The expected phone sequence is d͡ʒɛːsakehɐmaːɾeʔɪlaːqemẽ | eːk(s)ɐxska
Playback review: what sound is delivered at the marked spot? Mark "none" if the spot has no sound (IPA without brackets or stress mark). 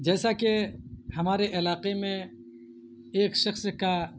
ʃ